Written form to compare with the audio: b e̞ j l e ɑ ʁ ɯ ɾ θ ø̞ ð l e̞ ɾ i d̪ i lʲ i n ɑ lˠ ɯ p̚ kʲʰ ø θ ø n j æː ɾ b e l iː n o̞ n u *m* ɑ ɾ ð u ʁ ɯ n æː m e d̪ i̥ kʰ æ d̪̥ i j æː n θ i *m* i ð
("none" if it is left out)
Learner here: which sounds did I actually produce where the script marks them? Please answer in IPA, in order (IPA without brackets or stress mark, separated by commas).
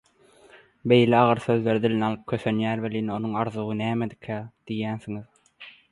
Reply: ŋ, ŋ